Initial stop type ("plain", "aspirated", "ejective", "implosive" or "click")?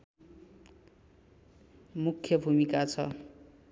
aspirated